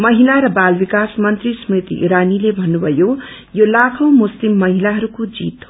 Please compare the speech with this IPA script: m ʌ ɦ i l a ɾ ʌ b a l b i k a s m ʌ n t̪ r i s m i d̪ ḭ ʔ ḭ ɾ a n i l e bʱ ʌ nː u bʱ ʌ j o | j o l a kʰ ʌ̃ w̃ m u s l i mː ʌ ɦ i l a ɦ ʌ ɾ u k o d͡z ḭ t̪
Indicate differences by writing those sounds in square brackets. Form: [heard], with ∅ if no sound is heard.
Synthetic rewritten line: m ʌ ɦ i l a ɾ ʌ b a l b i k a s m ʌ n t̪ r i s m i [t̪] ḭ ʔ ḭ ɾ a n i l e bʱ ʌ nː u bʱ ʌ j o | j o l a kʰ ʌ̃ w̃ m u s l i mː ʌ ɦ i l a ɦ ʌ ɾ u k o d͡z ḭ t̪